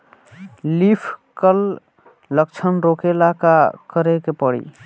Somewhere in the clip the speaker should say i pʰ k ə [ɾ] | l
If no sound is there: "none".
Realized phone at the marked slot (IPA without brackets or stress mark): l